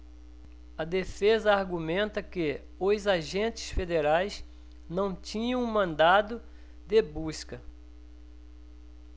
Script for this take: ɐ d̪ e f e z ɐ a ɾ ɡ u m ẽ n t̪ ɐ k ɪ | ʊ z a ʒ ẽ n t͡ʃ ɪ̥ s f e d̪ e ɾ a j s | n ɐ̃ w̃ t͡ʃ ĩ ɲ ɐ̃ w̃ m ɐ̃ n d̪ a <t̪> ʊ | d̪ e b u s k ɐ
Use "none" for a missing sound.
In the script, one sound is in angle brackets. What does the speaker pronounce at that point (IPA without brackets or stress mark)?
d̪